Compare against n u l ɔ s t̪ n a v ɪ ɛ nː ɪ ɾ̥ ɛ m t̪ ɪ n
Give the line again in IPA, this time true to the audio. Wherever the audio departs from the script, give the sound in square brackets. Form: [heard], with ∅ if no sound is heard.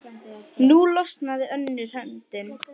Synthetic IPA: n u l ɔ s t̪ n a [ð] ɪ [œ] nː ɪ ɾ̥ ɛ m t̪ ɪ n